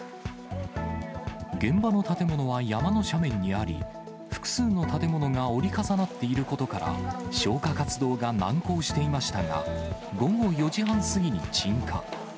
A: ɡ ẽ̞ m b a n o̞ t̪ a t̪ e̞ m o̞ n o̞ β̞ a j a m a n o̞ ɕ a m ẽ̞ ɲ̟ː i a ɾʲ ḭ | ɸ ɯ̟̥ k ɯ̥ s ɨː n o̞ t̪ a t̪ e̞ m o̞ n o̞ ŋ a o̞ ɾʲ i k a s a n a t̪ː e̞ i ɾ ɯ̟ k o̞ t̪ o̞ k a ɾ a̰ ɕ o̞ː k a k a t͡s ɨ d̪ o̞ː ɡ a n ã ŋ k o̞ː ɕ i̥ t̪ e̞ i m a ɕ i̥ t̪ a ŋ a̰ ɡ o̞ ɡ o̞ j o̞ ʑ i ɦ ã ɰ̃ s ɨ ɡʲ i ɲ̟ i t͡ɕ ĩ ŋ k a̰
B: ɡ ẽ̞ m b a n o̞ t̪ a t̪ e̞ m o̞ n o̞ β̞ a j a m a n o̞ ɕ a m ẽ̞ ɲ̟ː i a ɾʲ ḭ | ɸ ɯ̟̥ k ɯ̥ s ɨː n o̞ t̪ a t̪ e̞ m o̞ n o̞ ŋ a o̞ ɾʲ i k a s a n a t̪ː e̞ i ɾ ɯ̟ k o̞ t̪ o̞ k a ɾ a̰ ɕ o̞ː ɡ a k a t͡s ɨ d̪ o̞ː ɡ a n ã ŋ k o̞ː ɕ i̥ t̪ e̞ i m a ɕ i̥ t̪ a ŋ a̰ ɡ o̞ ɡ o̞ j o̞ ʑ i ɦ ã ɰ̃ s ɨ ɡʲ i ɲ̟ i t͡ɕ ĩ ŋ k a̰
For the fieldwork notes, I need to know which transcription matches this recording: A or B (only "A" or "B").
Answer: A